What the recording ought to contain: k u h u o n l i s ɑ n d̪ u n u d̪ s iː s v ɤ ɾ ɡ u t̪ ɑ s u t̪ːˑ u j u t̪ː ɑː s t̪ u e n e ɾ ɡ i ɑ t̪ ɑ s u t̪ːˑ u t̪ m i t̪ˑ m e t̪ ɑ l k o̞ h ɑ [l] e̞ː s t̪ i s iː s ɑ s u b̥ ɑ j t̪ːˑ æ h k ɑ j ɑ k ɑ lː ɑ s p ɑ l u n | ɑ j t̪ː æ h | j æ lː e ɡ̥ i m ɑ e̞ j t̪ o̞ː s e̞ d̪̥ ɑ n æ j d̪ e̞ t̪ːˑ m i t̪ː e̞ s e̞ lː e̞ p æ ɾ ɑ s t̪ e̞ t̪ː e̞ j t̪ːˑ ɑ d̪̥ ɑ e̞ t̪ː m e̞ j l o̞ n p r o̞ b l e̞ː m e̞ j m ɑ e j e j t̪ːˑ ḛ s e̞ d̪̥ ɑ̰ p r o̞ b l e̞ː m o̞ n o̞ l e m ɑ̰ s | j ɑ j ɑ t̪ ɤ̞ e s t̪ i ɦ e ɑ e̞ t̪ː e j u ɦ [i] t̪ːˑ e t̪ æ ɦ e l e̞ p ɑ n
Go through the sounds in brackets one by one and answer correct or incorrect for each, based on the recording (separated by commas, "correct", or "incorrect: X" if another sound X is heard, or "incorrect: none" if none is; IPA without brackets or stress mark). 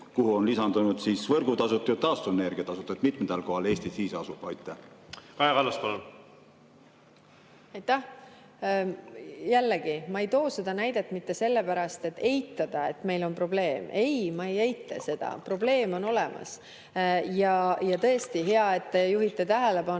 correct, correct